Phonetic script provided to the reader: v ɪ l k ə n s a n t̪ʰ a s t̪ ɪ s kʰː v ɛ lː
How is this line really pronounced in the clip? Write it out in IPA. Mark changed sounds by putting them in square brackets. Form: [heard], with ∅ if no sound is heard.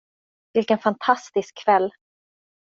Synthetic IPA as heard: v ɪ l k ə n [f] a n t̪ʰ a s t̪ ɪ s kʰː v ɛ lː